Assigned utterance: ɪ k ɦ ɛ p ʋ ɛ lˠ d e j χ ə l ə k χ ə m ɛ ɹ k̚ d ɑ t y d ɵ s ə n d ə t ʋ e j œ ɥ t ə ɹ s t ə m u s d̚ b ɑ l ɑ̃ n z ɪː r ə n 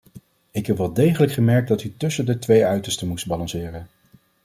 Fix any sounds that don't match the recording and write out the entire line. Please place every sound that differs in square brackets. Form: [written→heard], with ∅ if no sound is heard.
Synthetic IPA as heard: ɪ k ɦ ɛ p ʋ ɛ lˠ d e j χ ə l ə k χ ə m ɛ ɹ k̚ d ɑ t y [d→t] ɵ s ə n d ə t ʋ e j œ ɥ t ə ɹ s t ə m u s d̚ b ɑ l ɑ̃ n [z→s] ɪː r ə n